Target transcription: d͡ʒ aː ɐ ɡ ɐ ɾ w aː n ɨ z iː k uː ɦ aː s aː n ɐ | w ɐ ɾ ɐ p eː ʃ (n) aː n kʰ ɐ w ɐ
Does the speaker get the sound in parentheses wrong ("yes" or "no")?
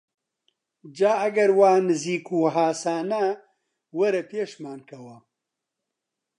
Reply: yes